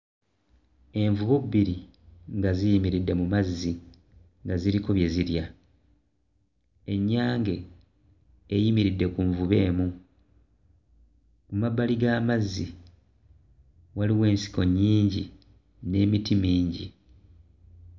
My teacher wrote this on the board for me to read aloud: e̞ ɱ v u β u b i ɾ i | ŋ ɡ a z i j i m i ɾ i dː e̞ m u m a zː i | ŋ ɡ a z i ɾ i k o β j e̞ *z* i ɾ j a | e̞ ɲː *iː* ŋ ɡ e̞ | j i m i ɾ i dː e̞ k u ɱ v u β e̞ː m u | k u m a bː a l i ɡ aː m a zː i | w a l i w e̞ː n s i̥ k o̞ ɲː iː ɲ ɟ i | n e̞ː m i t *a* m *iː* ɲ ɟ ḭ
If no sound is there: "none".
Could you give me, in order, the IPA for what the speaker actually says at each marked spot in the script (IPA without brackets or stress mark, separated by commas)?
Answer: z, aː, i, iː